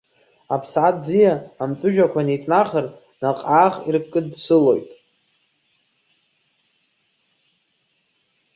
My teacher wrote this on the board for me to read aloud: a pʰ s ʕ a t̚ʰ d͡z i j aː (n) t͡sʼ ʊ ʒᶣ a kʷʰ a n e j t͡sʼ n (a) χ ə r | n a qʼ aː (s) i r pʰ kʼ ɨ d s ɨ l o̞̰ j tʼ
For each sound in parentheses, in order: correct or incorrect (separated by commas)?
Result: incorrect, correct, incorrect